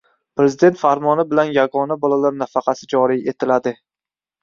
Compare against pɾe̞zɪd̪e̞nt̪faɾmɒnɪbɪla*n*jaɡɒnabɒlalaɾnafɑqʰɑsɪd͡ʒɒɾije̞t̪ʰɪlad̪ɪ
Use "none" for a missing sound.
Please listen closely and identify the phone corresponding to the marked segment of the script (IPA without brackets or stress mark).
n